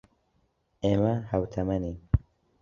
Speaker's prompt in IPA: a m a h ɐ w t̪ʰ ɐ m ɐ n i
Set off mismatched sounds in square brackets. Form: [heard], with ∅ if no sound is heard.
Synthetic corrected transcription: [e] m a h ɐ w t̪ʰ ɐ m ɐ n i